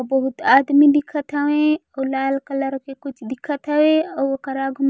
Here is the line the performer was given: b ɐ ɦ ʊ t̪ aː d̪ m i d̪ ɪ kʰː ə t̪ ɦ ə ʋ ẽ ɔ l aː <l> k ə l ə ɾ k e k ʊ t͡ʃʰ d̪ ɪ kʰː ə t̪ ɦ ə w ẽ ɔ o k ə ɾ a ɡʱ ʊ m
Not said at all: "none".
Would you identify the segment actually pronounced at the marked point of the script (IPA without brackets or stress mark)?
l